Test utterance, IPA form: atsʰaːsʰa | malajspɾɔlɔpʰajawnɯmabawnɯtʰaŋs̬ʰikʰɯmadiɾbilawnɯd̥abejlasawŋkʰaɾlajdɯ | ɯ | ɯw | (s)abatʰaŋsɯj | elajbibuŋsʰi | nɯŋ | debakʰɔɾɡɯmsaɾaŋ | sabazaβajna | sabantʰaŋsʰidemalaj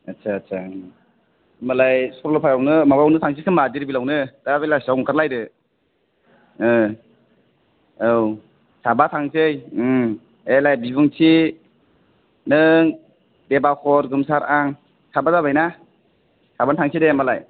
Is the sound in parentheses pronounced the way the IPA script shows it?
yes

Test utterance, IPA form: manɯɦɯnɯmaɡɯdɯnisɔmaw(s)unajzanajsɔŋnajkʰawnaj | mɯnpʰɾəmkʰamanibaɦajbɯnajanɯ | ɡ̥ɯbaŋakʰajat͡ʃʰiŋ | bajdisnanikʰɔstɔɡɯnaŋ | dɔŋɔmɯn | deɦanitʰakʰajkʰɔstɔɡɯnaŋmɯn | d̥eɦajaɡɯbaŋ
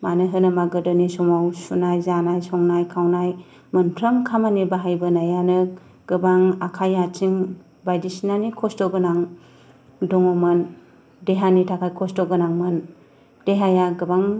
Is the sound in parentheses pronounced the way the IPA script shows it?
yes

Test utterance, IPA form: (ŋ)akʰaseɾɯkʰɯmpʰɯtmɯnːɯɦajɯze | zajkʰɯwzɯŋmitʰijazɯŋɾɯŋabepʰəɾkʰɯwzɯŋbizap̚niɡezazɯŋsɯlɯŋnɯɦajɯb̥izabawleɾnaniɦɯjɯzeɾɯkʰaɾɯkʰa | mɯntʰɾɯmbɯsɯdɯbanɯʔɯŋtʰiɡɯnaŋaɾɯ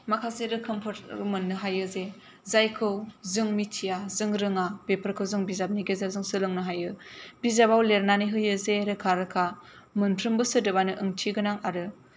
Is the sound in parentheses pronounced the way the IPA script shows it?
no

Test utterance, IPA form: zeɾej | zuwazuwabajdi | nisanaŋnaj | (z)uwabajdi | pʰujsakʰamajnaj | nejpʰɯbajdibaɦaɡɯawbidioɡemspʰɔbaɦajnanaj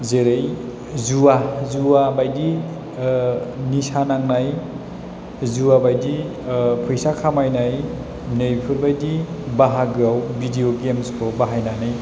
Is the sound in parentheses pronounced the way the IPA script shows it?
yes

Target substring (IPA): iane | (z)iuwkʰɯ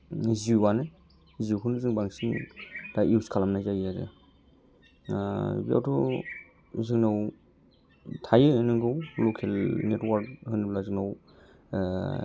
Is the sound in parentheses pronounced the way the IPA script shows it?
yes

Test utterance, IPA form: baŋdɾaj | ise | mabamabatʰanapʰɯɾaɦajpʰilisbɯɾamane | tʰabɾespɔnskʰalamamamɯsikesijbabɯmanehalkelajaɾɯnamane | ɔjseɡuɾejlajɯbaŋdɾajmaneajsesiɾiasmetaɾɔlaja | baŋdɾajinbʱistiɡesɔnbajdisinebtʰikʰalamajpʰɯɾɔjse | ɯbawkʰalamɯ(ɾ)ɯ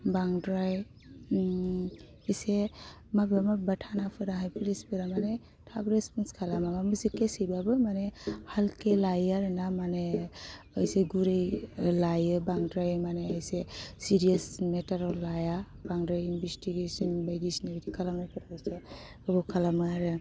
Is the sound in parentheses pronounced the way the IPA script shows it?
yes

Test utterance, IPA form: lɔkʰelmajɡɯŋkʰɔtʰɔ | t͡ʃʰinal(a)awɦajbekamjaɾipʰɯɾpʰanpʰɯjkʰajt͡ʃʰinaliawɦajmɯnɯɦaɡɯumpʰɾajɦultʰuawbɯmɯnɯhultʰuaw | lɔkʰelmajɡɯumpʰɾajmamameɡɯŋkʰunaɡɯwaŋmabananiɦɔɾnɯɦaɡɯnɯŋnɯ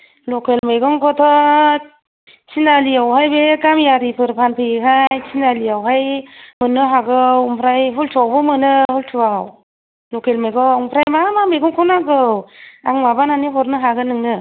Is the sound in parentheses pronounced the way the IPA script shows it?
no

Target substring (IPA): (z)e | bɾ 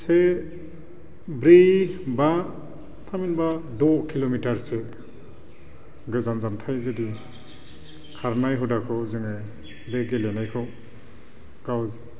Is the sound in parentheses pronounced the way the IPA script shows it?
no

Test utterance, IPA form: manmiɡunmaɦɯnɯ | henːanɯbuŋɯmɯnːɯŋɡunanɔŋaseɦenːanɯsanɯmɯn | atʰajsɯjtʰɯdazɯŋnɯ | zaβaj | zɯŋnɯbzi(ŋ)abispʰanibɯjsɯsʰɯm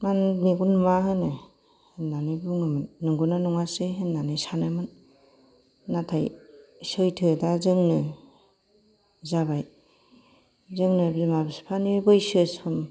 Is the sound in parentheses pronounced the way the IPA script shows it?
no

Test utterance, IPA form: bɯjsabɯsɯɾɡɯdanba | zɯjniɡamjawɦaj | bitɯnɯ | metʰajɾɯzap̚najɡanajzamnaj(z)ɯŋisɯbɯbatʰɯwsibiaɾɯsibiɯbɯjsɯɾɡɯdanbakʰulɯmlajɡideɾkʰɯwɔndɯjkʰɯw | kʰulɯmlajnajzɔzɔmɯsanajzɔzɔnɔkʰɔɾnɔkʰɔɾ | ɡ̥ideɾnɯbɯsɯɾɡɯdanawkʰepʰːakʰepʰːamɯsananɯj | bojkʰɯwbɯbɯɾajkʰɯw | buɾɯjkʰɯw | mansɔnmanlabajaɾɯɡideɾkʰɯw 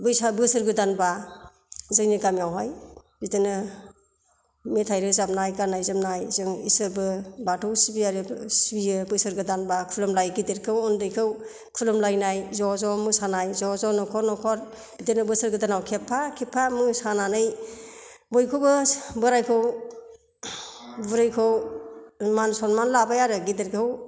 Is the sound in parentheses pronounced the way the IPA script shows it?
yes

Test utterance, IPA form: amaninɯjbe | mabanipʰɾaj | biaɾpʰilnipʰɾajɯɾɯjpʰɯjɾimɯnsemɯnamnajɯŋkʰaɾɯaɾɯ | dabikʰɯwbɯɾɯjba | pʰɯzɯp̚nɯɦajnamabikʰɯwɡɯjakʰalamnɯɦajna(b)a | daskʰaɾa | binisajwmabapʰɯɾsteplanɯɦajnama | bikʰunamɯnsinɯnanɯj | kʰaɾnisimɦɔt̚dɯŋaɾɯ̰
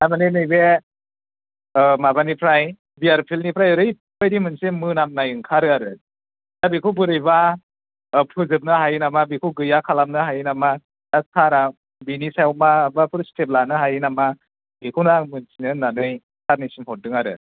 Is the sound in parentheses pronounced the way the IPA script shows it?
no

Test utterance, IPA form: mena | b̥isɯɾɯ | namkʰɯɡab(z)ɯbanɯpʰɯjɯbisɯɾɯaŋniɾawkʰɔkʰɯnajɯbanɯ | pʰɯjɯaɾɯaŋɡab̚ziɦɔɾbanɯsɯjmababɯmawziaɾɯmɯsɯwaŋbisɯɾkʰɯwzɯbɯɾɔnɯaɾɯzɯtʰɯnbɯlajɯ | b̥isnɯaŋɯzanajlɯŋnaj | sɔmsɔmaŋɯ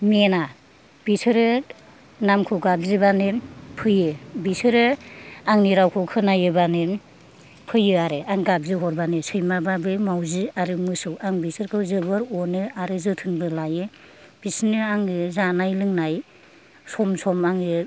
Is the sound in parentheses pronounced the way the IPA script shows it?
yes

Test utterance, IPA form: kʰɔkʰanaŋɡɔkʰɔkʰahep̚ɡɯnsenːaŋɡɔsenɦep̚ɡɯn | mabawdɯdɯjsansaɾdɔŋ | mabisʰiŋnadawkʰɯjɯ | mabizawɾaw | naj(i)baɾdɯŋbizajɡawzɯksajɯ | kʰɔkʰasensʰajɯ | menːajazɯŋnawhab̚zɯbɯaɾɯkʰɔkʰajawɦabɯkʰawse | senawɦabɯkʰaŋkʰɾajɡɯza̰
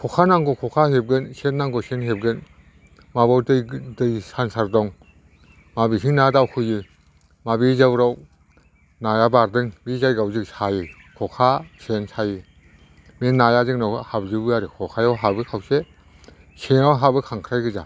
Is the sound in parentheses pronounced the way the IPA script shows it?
no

